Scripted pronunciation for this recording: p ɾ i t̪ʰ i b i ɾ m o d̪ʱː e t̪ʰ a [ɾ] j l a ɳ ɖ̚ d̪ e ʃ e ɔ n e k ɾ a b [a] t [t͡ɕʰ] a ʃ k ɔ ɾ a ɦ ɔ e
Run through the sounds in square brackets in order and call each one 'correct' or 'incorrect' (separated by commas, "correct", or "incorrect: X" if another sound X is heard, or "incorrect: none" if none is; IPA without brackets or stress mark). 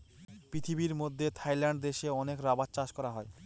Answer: incorrect: none, correct, incorrect: t͡ɕ